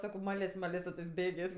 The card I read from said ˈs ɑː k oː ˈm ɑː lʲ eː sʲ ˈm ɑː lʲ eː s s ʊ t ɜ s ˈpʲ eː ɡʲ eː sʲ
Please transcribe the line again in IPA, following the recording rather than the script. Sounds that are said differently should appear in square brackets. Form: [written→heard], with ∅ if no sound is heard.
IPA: ˈs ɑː k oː ˈm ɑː lʲ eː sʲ ˈm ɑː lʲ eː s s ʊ t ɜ s [ˈpʲ→ˈbʲ] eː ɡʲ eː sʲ